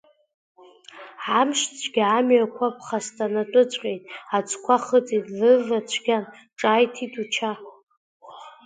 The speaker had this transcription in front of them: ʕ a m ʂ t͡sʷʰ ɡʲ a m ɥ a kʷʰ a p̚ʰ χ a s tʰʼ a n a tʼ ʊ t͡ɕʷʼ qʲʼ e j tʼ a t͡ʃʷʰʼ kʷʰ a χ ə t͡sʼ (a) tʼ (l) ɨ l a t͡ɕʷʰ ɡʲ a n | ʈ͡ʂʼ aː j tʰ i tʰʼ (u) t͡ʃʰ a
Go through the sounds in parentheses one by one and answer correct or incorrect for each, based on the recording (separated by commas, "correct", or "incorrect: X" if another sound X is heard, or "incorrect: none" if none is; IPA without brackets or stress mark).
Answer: incorrect: i, correct, correct